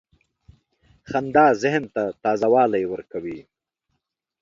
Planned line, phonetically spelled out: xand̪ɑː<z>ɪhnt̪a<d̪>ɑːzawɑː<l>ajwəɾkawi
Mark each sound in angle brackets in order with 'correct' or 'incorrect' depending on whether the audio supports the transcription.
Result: correct, incorrect: t̪, correct

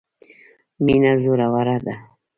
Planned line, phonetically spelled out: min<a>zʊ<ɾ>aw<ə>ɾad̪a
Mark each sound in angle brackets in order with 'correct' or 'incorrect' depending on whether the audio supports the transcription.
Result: correct, correct, incorrect: a

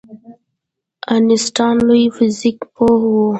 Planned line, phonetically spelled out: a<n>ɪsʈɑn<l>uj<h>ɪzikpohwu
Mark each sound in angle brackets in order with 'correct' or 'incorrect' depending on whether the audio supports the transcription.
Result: correct, correct, incorrect: f

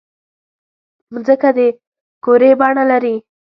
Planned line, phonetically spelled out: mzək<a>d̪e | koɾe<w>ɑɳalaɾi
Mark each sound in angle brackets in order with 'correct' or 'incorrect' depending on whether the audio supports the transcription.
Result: correct, incorrect: b

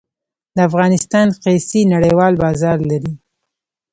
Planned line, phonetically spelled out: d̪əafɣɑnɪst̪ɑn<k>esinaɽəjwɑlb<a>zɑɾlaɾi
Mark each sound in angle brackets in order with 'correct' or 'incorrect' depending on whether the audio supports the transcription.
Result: incorrect: q, incorrect: ɑ

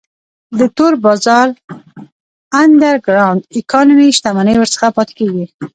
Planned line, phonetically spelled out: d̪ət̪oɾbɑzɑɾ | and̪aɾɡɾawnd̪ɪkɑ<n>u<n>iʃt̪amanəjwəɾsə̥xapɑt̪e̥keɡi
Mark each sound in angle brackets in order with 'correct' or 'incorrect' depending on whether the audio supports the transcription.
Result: correct, incorrect: m

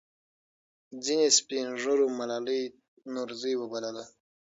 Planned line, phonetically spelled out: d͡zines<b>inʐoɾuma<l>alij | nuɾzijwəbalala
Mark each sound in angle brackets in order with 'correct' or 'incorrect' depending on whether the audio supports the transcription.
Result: incorrect: p, correct

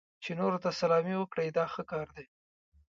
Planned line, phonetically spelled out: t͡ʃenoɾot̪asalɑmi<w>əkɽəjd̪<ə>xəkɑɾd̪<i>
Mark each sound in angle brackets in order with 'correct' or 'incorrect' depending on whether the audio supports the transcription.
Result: correct, incorrect: ɑ, incorrect: e

